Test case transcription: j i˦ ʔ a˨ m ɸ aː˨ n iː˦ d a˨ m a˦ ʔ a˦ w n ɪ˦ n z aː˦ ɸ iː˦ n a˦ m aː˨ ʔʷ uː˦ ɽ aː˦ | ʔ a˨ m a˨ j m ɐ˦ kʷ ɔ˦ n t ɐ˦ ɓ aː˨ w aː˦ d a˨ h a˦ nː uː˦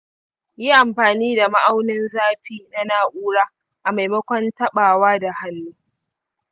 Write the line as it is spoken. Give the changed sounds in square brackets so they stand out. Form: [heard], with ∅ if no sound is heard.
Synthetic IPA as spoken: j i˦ ʔ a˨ m ɸ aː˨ n iː˦ d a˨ m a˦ ʔ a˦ w n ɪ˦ n z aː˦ ɸ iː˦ n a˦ [n] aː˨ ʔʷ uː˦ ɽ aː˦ | ʔ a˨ m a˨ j m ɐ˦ kʷ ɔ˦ n t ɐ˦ ɓ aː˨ w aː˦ d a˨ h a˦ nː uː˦